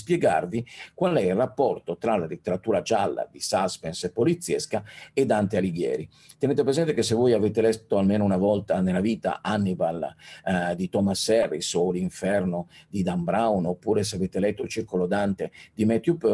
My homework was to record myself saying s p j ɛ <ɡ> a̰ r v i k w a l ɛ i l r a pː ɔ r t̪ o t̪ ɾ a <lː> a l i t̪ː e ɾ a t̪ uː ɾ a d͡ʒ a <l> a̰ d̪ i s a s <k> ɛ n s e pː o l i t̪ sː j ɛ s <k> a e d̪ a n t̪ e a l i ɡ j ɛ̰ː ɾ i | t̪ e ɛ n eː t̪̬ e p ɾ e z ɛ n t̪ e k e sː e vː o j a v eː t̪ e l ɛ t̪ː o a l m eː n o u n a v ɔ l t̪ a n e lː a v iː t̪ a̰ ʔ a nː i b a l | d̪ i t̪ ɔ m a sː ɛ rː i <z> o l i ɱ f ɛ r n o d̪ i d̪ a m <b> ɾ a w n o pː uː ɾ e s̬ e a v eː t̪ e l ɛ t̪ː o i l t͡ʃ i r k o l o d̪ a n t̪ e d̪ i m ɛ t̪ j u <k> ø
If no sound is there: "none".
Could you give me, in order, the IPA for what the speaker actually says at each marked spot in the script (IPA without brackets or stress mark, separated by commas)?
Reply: ɡ, l, lː, p, k, s, b, p